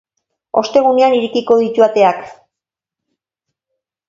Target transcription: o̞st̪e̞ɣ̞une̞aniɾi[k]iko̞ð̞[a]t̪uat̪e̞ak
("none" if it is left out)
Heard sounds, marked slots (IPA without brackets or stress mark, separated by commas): k, i